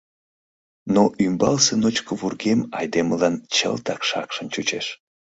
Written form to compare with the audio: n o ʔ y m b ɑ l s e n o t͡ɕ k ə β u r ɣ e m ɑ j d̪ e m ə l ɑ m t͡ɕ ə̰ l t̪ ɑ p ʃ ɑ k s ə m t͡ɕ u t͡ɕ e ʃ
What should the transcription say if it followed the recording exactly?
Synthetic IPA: n o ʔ y m b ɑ l s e n o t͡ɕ k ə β u r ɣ e m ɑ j d̪ e m ə l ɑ n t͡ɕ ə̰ l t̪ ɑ k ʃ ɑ k ʃ ə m t͡ɕ u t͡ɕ e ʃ